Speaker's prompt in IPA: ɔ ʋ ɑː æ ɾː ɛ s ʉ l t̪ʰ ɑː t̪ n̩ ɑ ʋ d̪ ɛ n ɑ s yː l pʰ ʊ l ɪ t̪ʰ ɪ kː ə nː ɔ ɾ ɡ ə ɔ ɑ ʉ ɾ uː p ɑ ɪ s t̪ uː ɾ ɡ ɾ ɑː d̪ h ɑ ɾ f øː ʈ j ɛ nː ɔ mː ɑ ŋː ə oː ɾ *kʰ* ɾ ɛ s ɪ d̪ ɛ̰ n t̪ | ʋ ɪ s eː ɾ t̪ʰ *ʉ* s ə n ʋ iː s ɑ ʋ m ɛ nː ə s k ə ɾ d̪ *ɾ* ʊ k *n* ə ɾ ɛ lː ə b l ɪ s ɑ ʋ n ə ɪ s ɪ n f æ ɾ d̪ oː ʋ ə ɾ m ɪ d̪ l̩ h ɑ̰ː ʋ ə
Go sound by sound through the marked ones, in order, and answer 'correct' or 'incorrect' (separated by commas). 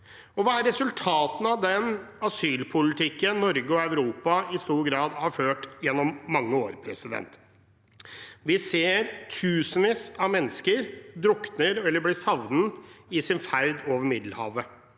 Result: incorrect, incorrect, correct, correct